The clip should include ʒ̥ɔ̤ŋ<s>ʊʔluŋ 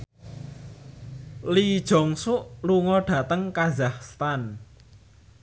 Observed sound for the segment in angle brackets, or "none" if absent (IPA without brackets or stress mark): s